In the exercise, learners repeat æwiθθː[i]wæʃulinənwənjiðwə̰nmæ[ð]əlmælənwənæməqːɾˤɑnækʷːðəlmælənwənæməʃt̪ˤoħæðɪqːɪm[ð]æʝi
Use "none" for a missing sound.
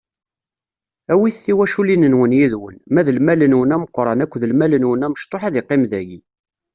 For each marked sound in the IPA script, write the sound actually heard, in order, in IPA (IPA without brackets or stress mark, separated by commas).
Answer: i, ð, ð